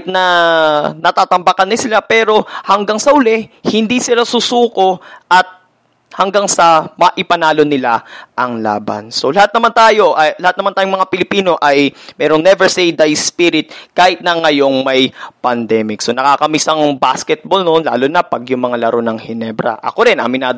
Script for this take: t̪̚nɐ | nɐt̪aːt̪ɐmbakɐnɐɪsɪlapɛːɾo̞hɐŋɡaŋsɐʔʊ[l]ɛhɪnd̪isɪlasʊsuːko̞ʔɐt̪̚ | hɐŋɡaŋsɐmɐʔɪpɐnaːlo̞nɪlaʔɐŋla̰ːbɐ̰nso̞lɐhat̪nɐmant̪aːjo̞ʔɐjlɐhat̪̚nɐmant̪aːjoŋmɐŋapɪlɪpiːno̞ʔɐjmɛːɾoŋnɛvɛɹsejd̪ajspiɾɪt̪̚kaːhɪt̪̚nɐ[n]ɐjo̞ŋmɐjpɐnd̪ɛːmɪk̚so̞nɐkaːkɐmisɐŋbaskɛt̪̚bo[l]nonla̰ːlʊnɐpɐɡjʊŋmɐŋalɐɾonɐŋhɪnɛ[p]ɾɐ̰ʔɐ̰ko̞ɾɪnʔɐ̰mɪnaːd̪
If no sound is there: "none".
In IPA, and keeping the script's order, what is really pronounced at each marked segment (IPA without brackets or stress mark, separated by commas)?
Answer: l, ŋ, l, b